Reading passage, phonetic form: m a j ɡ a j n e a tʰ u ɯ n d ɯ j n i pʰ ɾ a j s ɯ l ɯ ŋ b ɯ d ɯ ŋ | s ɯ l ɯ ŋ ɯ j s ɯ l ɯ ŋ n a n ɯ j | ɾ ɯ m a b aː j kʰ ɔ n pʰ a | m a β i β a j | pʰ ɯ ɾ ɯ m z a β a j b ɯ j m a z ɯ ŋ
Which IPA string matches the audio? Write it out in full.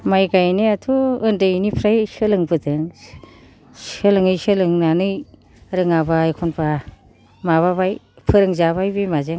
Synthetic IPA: m a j ɡ a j n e a tʰ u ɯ n d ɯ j n i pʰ ɾ a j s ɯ l ɯ ŋ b ɯ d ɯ ŋ | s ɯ l ɯ ŋ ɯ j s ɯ l ɯ ŋ n a n ɯ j | ɾ ɯ ŋ a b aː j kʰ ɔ n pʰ a | m a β a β a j | pʰ ɯ ɾ ɯ ŋ z a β a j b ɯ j m a z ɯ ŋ